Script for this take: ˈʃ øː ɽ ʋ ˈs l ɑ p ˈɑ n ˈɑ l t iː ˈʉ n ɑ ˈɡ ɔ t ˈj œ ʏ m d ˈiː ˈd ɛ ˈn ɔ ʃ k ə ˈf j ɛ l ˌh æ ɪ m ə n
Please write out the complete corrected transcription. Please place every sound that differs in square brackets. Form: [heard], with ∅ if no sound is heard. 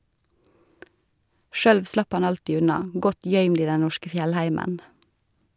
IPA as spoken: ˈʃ øː ɽ ʋ ˈs l ɑ p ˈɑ n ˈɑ l t iː ˈʉ n ɑ ˈɡ ɔ t ˈj œ ʏ m d ˈiː ˈd ɛ ˈn ɔ ʃ k ə ˈf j ɛ l ˌh æ ɪ m ə n

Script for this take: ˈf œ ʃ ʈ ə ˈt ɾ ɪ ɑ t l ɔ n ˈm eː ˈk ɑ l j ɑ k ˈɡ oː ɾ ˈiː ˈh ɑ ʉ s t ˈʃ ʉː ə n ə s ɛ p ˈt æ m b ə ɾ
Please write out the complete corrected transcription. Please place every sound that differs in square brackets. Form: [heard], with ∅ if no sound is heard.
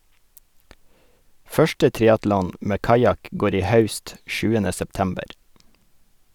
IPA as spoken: ˈf œ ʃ ʈ ə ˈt ɾ ɪ ɑ t l ɔ n ˈm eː ˈk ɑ [∅] j ɑ k ˈɡ oː ɾ ˈiː ˈh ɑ ʉ s t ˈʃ ʉː ə n ə s ɛ p ˈt æ m b ə ɾ

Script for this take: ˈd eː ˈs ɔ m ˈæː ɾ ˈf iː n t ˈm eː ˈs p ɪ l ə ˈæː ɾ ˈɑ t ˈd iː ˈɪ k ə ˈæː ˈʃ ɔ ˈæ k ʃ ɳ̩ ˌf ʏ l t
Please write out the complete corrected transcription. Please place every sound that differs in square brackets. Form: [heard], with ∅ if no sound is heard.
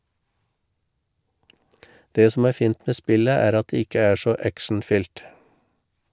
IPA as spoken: ˈd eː ˈs ɔ m ˈæː ɾ ˈf iː n t ˈm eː ˈs p ɪ l ə ˈæː ɾ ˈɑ t ˈd [eː] ˈɪ k ə ˈæː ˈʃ ɔ ˈæ k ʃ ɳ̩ ˌf ʏ l t

